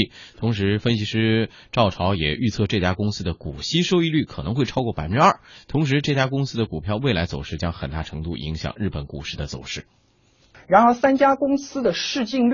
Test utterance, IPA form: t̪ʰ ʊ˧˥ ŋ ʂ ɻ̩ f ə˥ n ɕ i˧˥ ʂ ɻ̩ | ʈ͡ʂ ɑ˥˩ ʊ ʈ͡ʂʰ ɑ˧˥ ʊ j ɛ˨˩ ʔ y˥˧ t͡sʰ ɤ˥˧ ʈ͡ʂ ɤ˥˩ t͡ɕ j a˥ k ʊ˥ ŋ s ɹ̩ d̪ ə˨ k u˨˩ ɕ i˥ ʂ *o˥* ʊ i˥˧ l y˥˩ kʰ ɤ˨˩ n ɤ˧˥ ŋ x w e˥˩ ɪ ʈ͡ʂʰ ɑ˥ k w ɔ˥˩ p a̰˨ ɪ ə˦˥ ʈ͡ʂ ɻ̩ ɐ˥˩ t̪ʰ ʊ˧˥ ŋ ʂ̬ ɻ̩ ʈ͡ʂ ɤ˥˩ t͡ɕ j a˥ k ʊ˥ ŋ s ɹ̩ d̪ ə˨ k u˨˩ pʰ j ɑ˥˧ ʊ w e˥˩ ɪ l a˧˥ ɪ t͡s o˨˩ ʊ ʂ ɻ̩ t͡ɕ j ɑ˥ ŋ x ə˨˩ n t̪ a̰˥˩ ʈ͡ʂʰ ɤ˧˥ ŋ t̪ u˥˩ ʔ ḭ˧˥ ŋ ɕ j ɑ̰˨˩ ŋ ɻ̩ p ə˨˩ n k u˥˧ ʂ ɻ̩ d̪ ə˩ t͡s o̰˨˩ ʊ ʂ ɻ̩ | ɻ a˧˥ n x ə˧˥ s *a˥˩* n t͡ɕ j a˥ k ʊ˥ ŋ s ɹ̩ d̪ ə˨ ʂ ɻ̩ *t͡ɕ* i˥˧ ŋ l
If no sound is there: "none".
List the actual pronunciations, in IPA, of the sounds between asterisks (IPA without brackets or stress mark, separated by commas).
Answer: o˥, a˥, t͡ɕ